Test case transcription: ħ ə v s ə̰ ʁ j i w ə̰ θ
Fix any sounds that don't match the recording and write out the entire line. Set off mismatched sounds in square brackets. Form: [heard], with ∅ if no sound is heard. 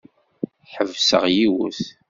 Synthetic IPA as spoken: ħ ə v s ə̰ ʁ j i w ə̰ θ